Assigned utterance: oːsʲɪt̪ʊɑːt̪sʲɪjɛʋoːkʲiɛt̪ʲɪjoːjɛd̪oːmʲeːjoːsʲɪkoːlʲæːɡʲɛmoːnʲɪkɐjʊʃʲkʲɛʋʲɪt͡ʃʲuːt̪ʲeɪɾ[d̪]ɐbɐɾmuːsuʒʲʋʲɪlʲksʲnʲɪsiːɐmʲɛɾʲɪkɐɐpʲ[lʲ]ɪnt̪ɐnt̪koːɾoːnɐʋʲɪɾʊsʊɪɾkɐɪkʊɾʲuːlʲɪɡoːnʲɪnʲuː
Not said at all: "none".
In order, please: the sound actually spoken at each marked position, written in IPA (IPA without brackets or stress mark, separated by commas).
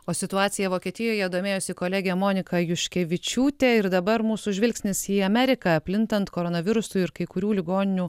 d̪, lʲ